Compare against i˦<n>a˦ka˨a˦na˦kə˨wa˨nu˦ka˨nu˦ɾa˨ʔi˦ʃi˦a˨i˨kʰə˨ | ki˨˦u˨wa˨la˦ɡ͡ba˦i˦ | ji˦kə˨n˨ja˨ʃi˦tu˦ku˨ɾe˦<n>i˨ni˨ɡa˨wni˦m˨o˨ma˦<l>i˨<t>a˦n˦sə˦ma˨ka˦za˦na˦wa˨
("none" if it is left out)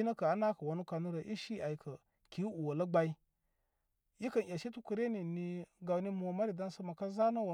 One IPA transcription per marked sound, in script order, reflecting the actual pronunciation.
n, n, ɾ, d

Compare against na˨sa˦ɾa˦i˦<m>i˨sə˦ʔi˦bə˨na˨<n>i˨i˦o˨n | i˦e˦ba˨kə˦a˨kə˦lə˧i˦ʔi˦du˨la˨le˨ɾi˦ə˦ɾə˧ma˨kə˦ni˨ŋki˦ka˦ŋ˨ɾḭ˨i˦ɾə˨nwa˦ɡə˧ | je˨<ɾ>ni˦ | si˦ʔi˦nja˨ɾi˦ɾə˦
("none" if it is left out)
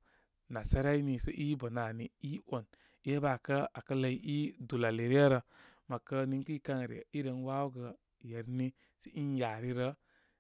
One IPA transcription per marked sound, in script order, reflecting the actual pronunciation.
n, n, ɾ

